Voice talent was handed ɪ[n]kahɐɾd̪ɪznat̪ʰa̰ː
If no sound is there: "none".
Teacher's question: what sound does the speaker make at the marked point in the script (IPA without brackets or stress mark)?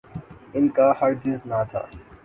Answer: n